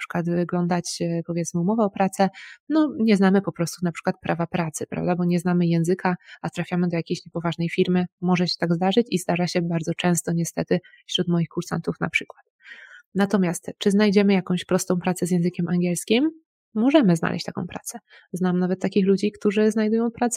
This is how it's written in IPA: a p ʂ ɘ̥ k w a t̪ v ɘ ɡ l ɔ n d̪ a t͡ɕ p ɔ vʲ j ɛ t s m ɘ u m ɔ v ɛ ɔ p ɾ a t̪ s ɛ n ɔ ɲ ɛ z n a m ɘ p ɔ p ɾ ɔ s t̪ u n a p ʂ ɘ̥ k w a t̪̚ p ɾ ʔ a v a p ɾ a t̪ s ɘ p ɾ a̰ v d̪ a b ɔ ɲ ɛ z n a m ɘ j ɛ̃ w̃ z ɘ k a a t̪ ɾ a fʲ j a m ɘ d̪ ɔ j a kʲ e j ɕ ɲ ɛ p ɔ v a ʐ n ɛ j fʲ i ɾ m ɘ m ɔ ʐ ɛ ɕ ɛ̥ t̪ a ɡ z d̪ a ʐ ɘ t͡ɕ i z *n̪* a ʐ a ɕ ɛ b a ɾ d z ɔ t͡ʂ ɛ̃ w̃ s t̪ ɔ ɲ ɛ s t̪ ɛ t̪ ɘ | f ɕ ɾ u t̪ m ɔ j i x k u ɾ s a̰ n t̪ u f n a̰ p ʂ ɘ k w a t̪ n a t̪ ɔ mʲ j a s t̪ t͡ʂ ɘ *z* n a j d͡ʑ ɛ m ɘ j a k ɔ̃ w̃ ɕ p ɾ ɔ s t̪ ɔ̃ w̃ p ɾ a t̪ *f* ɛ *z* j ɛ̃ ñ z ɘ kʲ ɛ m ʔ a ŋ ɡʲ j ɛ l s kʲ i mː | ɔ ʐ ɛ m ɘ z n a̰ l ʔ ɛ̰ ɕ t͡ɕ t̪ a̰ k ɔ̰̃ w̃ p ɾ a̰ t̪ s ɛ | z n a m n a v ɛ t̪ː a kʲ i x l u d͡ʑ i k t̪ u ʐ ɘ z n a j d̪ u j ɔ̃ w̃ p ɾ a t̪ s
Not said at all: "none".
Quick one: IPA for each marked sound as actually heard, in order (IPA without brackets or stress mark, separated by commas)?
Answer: d̪, z, s, z